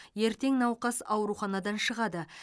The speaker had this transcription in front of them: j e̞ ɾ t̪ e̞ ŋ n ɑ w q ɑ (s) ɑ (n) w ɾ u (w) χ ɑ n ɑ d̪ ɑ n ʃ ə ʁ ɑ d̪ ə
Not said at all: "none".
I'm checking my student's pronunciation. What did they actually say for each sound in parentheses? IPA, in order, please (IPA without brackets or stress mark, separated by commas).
s, none, none